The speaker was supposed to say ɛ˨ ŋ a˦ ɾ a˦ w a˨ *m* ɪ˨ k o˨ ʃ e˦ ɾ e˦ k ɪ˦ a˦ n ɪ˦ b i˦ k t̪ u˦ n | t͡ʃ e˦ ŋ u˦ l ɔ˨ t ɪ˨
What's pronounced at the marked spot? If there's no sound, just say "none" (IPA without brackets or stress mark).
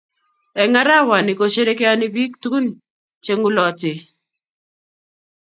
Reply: n